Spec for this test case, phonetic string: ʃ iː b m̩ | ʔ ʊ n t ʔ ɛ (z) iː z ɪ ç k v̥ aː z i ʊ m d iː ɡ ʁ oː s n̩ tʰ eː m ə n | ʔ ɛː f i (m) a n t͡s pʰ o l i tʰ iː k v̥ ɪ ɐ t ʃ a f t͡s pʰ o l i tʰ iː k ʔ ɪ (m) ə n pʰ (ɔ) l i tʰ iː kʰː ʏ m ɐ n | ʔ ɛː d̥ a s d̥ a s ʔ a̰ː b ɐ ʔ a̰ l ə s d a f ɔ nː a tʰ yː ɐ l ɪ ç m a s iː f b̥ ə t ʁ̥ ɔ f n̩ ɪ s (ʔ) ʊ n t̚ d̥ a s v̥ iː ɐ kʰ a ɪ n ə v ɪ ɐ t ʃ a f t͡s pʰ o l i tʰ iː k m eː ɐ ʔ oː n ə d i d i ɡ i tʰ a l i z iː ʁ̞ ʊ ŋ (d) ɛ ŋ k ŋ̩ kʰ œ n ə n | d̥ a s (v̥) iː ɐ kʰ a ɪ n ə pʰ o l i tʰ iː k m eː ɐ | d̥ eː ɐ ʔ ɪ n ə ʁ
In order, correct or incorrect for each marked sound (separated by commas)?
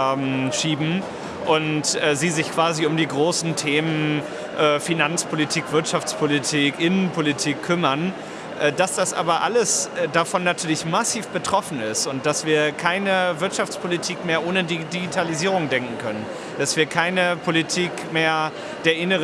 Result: correct, incorrect, incorrect, incorrect, incorrect, correct, correct